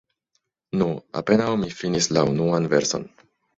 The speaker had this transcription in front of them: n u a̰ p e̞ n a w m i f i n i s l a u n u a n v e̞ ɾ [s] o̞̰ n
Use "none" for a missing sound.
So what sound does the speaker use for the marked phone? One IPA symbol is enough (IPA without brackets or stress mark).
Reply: s